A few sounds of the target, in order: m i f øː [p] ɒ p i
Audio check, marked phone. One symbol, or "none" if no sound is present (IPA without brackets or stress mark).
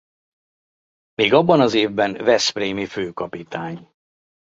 k